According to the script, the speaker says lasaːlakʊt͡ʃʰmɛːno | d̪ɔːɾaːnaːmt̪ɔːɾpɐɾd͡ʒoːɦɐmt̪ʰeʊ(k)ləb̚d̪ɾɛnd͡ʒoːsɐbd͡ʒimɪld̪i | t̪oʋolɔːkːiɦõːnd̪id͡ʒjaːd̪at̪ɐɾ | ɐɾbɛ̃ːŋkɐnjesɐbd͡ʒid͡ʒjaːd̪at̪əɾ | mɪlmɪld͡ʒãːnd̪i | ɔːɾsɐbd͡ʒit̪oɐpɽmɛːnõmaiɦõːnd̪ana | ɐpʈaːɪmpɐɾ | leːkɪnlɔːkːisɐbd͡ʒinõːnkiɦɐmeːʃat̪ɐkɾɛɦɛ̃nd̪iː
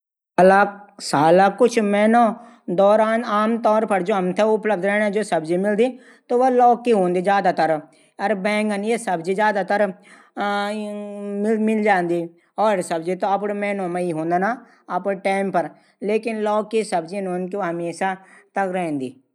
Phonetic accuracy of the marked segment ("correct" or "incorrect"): incorrect